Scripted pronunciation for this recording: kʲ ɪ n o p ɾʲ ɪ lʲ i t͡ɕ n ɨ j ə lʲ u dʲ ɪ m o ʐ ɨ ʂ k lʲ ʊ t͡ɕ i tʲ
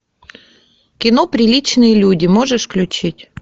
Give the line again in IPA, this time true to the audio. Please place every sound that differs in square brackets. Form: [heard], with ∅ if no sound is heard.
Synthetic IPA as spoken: kʲ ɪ n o p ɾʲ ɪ lʲ i t͡ɕ n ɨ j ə lʲ u dʲ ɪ m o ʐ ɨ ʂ k lʲ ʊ t͡ɕ i tʲ